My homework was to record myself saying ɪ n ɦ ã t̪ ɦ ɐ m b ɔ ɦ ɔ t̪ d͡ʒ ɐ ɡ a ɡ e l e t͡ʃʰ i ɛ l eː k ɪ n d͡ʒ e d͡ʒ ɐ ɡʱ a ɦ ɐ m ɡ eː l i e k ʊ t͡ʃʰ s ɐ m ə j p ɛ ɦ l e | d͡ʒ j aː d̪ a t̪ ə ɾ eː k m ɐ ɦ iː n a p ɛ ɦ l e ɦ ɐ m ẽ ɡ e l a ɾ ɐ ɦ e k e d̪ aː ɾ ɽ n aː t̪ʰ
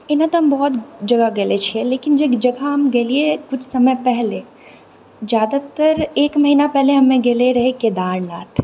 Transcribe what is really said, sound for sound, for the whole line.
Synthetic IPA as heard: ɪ n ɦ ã t̪ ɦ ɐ m b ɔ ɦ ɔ t̪ d͡ʒ ɐ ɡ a ɡ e l e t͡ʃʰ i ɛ l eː k ɪ n d͡ʒ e d͡ʒ ɐ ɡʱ a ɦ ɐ m ɡ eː l i e k ʊ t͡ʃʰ s ɐ m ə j p ɛ ɦ l e | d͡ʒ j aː d̪ a t̪ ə ɾ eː k m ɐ ɦ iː n a p ɛ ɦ l e ɦ ɐ m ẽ ɡ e l e ɾ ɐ ɦ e k e d̪ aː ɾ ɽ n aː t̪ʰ